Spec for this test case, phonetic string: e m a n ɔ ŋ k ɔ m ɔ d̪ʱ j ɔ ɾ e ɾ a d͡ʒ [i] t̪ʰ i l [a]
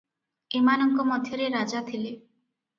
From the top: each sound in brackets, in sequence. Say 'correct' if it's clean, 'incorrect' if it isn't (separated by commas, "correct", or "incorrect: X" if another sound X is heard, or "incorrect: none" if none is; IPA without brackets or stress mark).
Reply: incorrect: a, incorrect: e